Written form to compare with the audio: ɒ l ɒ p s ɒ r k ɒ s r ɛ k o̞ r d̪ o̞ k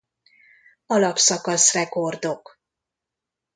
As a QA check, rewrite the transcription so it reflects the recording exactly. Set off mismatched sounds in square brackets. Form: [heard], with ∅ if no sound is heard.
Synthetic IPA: ɒ l ɒ p s ɒ [∅] k ɒ s r ɛ k o̞ r d̪ o̞ k

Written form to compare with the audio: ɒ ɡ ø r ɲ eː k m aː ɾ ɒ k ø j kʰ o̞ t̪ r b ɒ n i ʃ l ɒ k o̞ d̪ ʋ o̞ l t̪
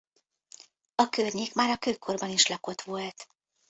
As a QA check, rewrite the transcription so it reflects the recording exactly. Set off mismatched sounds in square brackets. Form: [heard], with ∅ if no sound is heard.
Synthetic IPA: ɒ [k] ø r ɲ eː k m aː ɾ ɒ k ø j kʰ o̞ [∅] r b ɒ n i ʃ l ɒ k o̞ [t̪] ʋ o̞ l t̪

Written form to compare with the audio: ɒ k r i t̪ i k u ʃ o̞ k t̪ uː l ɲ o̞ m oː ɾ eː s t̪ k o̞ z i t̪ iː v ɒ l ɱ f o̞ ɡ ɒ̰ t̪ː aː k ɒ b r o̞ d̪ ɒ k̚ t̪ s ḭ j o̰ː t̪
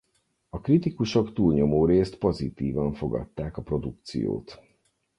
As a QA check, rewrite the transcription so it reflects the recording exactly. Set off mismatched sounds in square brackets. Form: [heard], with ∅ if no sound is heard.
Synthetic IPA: ɒ k r i t̪ i k u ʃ o̞ k t̪ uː l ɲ o̞ m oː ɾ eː s t̪ [p] o̞ z i t̪ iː v ɒ [∅] ɱ f o̞ ɡ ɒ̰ t̪ː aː k ɒ [p] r o̞ d̪ [u] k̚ t̪ s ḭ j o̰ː t̪

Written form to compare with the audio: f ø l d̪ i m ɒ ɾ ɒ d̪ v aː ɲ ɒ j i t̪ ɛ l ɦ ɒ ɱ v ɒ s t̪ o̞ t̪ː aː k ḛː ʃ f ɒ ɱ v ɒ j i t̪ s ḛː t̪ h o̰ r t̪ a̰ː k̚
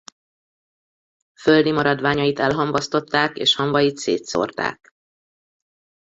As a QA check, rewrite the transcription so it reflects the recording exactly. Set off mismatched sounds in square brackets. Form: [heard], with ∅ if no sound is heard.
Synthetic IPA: f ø l d̪ i m ɒ ɾ ɒ d̪ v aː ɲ ɒ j i t̪ ɛ l ɦ ɒ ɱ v ɒ s t̪ o̞ t̪ː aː k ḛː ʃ [h] ɒ ɱ v ɒ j i t̪ s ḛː t̪ [s] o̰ r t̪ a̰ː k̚

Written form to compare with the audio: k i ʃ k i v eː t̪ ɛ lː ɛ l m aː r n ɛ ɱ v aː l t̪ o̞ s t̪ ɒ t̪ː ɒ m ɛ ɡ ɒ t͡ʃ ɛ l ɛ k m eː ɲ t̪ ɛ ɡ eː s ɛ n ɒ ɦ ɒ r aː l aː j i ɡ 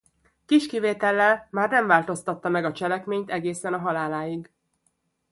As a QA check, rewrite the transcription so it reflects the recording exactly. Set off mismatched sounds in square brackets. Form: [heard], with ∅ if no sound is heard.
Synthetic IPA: k i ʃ k i v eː t̪ ɛ lː ɛ l m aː r n ɛ ɱ v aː l t̪ o̞ s t̪ ɒ t̪ː ɒ m ɛ ɡ ɒ t͡ʃ ɛ l ɛ k m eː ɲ t̪ ɛ ɡ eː s ɛ n ɒ ɦ ɒ [l] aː l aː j i ɡ

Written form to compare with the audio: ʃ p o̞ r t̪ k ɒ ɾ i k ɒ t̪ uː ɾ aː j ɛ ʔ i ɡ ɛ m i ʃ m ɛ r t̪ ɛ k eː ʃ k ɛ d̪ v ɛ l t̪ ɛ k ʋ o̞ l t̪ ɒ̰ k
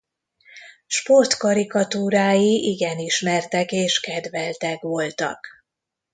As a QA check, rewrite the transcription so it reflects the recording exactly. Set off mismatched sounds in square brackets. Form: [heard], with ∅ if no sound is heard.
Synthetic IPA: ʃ p o̞ r t̪ k ɒ ɾ i k ɒ t̪ uː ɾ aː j [i] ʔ i ɡ ɛ [n] i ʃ m ɛ r t̪ ɛ k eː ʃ k ɛ d̪ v ɛ l t̪ ɛ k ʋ o̞ l t̪ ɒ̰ k

